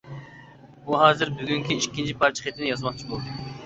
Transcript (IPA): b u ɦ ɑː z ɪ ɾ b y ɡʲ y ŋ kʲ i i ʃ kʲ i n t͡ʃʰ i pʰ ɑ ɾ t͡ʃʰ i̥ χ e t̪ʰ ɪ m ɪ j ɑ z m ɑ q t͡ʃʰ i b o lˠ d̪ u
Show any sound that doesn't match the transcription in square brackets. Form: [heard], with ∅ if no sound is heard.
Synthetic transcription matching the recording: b u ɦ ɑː z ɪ ɾ b y ɡʲ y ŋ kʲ i i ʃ kʲ i n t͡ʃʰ i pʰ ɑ ɾ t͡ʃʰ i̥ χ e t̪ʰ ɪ [n] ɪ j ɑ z m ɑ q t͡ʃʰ i b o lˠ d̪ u